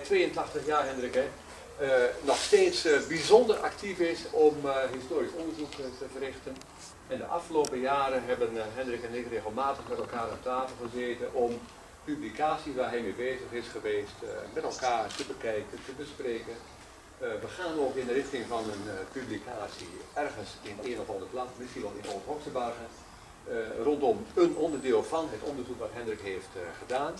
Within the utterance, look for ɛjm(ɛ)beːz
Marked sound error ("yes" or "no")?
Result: yes